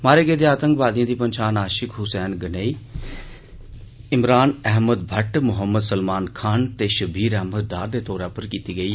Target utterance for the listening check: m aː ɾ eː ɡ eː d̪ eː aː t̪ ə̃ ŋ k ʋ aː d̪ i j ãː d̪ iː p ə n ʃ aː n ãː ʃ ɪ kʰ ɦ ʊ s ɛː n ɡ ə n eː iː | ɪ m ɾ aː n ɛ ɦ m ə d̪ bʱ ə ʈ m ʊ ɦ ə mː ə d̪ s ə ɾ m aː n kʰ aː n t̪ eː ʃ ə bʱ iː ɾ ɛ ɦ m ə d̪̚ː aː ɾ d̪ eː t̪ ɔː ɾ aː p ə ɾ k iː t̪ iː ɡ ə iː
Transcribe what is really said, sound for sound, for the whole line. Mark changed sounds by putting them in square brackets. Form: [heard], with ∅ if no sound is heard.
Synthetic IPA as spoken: m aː ɾ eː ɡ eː d̪ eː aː t̪ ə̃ ŋ k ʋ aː d̪ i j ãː d̪ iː p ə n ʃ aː n [aː] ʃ ɪ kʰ ɦ ʊ s ɛː n ɡ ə n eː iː | ɪ m ɾ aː n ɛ ɦ m ə d̪ bʱ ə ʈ m ʊ ɦ ə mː ə d̪ s ə [l] m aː n kʰ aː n t̪ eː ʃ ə bʱ iː ɾ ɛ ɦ m ə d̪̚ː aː ɾ d̪ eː t̪ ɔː ɾ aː p ə ɾ k iː t̪ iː ɡ ə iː

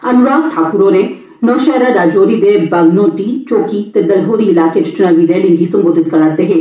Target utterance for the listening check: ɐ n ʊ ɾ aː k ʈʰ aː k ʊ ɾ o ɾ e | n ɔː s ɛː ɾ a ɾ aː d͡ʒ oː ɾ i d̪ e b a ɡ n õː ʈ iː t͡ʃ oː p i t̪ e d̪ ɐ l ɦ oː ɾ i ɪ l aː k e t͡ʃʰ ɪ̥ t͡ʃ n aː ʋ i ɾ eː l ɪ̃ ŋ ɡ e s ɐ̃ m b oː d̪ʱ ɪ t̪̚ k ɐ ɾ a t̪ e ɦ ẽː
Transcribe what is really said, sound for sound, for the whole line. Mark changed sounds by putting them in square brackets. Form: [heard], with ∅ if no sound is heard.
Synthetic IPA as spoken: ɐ n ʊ ɾ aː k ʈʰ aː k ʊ ɾ o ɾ e | n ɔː [ʃ] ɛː ɾ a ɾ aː d͡ʒ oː ɾ i d̪ e b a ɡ n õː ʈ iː t͡ʃ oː [k] i t̪ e d̪ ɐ l ɦ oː ɾ i ɪ l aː k e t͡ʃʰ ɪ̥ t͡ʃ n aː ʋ i ɾ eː l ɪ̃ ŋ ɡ [i] s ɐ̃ m b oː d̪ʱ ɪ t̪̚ k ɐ ɾ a t̪ e ɦ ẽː

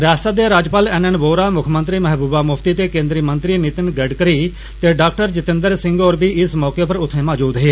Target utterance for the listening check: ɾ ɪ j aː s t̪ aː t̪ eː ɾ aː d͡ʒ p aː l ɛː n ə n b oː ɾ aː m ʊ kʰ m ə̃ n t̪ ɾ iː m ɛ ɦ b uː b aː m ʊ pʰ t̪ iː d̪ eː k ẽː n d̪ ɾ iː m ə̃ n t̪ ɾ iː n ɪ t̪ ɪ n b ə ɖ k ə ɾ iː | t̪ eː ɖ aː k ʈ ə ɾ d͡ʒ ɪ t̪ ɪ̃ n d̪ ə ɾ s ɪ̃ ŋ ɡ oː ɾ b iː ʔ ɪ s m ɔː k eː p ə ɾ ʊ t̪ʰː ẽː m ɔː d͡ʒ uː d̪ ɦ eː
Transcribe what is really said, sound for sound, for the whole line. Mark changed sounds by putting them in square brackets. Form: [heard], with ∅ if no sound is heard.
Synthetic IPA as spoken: ɾ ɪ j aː s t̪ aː [d̪] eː ɾ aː d͡ʒ p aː l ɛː n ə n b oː ɾ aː m ʊ kʰ m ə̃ n t̪ ɾ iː m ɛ ɦ b uː b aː m ʊ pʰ t̪ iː [t̪] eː k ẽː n d̪ ɾ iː m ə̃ n t̪ ɾ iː n ɪ t̪ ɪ n [ɡ] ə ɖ k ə ɾ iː | t̪ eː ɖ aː k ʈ ə ɾ d͡ʒ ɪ t̪ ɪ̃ n d̪ ə ɾ s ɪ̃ ŋ ɡ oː ɾ b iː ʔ ɪ s m ɔː k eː p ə ɾ ʊ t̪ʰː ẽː m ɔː d͡ʒ uː d̪ ɦ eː

